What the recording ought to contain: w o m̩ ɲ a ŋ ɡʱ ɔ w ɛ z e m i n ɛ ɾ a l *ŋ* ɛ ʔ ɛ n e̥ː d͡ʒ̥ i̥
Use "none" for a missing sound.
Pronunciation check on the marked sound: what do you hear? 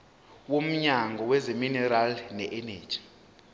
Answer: n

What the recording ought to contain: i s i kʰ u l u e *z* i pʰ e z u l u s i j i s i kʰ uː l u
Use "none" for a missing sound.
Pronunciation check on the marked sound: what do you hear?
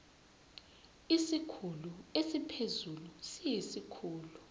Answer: s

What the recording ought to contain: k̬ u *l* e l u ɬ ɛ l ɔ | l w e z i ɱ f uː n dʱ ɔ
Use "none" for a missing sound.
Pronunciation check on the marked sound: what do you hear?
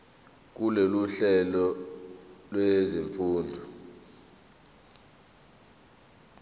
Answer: l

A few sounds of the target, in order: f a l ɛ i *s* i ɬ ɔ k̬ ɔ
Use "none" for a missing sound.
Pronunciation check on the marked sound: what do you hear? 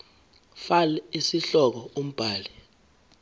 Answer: s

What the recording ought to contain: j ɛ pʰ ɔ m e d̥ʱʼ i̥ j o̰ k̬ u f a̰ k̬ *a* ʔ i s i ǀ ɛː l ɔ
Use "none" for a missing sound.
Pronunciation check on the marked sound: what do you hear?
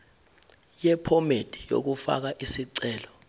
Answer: a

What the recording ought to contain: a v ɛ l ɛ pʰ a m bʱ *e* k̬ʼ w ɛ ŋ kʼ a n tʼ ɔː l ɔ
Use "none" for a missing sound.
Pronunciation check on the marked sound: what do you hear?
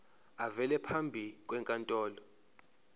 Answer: i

